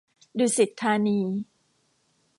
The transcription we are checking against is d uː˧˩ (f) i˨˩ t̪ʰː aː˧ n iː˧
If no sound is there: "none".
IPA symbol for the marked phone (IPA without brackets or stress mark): s